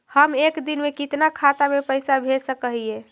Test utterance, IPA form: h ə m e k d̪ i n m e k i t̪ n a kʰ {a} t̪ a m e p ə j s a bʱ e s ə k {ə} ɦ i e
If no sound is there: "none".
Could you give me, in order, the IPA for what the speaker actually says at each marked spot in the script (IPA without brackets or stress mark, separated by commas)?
a, ə